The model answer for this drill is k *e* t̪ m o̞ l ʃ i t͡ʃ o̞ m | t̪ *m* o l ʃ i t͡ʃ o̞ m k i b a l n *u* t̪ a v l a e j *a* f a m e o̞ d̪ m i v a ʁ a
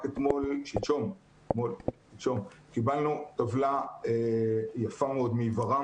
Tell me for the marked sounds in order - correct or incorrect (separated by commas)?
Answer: correct, correct, correct, correct